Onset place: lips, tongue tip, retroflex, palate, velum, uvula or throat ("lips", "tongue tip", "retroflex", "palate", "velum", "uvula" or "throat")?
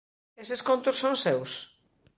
tongue tip